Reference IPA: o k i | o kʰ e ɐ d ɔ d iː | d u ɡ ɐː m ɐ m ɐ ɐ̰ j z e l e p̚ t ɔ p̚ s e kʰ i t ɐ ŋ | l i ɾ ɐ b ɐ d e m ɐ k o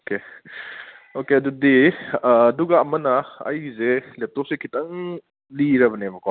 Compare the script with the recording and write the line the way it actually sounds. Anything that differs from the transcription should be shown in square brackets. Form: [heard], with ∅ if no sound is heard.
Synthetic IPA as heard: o k [e] | o [k] e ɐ d [u] d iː | d u ɡ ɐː m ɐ [n] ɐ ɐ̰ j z e l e p̚ t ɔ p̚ s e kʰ i t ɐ ŋ | l i ɾ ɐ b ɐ [n] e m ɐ k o